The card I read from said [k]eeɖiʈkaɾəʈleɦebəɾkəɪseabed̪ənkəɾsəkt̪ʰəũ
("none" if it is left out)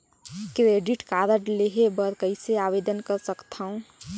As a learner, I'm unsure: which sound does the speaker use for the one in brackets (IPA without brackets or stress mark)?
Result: k